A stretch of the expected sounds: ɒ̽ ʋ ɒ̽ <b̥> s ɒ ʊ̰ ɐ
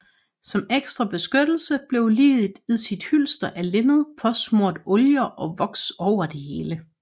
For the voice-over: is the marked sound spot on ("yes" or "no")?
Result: no